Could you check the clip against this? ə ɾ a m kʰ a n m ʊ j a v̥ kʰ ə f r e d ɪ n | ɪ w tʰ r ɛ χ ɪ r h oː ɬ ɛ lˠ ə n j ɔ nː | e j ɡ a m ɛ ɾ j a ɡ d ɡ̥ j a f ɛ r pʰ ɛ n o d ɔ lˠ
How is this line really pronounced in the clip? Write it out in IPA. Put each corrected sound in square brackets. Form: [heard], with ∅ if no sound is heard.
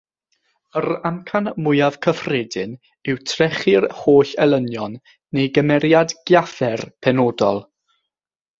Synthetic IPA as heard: ə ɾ a m kʰ a n m ʊ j a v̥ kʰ ə f r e d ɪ n | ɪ w tʰ r ɛ χ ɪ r h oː ɬ ɛ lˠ ə n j ɔ nː | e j ɡ [ə] m ɛ ɾ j a [∅] d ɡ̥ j a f ɛ r pʰ ɛ n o d ɔ lˠ

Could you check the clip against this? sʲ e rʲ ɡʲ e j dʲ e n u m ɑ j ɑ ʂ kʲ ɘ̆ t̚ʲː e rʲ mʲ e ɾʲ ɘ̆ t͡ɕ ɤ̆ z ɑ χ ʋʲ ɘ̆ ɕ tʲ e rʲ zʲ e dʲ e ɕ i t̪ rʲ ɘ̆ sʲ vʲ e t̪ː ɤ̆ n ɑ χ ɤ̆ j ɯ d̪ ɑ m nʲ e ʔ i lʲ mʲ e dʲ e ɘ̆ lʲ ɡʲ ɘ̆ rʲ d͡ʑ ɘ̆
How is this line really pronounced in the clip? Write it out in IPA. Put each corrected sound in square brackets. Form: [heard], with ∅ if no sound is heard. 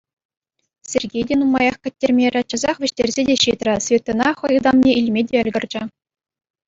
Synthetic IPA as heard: sʲ e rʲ ɡʲ e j dʲ e n u m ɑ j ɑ [χ] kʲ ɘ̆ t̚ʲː e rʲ mʲ e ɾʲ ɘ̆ t͡ɕ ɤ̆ z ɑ χ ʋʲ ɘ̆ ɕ tʲ e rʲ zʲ e dʲ e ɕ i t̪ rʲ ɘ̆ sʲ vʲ e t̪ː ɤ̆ n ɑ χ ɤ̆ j ɯ d̪ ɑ m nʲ e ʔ i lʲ mʲ e dʲ e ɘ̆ lʲ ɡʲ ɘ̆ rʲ d͡ʑ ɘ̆

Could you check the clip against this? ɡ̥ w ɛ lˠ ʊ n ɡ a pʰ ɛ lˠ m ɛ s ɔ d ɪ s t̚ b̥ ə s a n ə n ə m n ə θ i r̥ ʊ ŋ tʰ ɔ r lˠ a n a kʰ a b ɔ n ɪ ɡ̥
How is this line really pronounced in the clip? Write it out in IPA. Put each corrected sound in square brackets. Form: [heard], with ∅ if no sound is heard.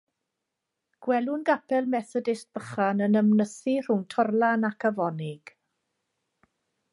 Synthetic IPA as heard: ɡ̥ w ɛ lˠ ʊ n ɡ a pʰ ɛ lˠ m ɛ [θ] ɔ d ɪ s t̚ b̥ ə [χ] a n ə n ə m n ə θ i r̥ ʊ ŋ tʰ ɔ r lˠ a n a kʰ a [v] ɔ n ɪ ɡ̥

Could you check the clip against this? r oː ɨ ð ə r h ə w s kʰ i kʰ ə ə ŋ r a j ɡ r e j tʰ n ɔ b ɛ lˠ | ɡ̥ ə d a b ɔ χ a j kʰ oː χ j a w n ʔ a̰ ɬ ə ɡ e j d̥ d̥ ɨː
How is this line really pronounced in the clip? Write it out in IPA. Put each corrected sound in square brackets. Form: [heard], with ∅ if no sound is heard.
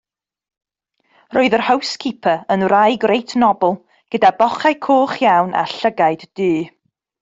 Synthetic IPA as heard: r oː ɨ ð ə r h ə w s kʰ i [pʰ] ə ə [n] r a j ɡ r e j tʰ n ɔ b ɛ lˠ | ɡ̥ ə d a b ɔ χ a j kʰ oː χ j a w n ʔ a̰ ɬ ə ɡ [a] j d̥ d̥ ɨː

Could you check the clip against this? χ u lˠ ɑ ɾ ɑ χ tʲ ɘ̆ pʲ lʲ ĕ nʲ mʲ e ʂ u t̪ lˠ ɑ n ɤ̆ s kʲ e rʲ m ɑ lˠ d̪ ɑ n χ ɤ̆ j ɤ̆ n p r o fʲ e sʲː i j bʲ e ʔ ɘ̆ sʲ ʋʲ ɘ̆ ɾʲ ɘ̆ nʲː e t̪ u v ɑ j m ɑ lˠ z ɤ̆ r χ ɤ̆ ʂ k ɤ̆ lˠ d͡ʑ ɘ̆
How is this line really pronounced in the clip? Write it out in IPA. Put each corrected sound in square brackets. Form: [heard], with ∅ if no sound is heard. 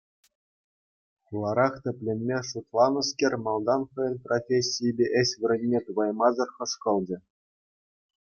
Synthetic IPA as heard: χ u lˠ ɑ ɾ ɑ χ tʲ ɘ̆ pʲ lʲ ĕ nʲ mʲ e ʂ u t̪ lˠ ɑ n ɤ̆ s kʲ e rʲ m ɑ lˠ d̪ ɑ n χ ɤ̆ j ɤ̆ n p r o fʲ e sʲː i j bʲ e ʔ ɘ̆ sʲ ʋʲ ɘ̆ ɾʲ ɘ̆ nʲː e t̪ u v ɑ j m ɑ [∅] z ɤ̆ r χ ɤ̆ ʂ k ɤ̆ lˠ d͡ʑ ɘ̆

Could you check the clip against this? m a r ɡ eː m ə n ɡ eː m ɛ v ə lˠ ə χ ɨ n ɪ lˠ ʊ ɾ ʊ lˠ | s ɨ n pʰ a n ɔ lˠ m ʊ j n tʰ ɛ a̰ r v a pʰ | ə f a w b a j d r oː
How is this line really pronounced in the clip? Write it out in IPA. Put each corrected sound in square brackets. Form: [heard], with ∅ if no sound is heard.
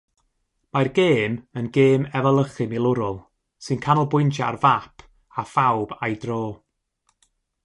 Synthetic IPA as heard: m a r ɡ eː m ə n ɡ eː m ɛ v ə lˠ ə χ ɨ [m] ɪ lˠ ʊ ɾ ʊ lˠ | s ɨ n [kʰ] a n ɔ lˠ [b] ʊ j n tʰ [a] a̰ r v a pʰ | [a] f a w b a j d r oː

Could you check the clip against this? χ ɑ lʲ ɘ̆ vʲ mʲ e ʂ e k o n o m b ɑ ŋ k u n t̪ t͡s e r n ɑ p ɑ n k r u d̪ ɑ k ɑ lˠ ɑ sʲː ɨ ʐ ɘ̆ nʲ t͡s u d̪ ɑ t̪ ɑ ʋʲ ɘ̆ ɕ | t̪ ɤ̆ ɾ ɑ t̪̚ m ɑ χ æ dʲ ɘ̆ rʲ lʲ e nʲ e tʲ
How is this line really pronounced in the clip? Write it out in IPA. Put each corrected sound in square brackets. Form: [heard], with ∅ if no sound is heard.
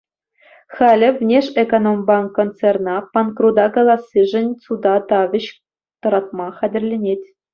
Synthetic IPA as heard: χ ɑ lʲ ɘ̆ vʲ [nʲ] e ʂ e k o n o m b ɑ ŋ k [o] n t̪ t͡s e r n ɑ p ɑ n k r u d̪ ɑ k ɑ lˠ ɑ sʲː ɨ ʐ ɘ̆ nʲ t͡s u d̪ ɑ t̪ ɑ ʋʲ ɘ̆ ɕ | t̪ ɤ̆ ɾ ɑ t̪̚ m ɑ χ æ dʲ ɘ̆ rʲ lʲ e nʲ e tʲ

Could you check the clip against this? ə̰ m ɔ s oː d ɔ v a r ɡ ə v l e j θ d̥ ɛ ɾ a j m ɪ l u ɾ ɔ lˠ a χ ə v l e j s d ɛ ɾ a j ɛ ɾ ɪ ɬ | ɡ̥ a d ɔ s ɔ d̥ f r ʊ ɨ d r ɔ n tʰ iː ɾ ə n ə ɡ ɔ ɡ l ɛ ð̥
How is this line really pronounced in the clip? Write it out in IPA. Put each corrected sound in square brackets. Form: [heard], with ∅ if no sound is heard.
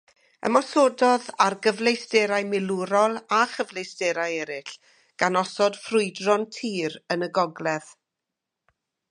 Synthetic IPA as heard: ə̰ m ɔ s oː d ɔ [ð] a r ɡ ə v l e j [s] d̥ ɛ ɾ a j m ɪ l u ɾ ɔ lˠ a χ ə v l e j s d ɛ ɾ a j ɛ ɾ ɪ ɬ | ɡ̥ a [n] ɔ s ɔ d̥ f r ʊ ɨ d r ɔ n tʰ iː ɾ ə n ə ɡ ɔ ɡ l ɛ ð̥

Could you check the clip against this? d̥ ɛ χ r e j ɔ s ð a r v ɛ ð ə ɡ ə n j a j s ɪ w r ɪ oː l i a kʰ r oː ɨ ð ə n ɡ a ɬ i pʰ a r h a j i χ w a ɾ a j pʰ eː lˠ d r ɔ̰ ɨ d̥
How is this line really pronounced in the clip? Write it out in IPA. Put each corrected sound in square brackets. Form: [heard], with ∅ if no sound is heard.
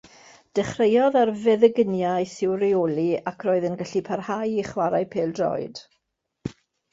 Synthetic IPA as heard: d̥ ɛ χ r e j ɔ [∅] ð a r v ɛ ð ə ɡ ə n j a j s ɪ w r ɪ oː l i a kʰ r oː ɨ ð ə n ɡ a ɬ i pʰ a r h a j i χ w a ɾ a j pʰ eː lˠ d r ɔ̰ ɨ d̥

